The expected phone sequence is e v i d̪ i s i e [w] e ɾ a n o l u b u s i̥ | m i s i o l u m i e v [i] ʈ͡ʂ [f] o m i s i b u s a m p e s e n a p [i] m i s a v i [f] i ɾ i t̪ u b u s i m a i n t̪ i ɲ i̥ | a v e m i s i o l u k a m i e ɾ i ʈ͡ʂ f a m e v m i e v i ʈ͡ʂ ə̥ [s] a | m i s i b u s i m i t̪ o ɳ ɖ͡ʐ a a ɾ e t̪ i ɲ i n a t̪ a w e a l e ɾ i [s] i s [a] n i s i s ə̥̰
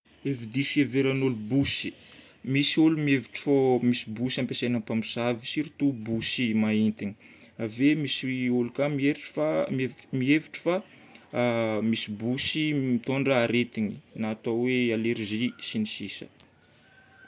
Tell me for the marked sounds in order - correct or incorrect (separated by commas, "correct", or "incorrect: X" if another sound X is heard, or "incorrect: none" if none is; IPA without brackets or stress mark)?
incorrect: v, correct, correct, incorrect: a, incorrect: s, incorrect: f, incorrect: z, incorrect: i